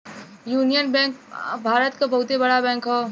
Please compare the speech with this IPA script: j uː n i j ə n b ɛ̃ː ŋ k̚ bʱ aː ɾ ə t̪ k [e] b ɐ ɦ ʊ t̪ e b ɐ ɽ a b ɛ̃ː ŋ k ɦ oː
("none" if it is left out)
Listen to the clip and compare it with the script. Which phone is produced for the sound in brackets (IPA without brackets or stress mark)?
a